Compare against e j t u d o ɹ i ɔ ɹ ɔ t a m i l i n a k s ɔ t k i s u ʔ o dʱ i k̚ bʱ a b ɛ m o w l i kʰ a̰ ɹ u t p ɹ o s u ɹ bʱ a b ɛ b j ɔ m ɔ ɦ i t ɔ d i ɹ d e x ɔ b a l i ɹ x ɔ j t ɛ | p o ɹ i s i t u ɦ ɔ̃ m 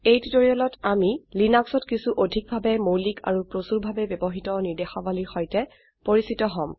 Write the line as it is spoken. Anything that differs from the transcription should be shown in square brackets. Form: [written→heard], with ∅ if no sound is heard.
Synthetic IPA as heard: e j t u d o ɹ i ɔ [ɹ→l] ɔ t a m i l i n a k s ɔ t k i s u ʔ o dʱ i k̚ bʱ a b ɛ m o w l i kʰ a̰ ɹ u [t→∅] p ɹ o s u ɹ bʱ a b ɛ b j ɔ [m→b] ɔ ɦ i t ɔ [d→n] i ɹ d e x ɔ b a l i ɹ x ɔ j t ɛ | p o ɹ i s i t [u→ɔ] ɦ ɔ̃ m